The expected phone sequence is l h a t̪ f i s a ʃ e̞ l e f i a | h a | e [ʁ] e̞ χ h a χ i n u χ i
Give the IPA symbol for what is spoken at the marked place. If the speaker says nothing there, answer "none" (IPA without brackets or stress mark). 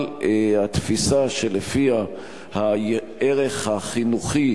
ʁ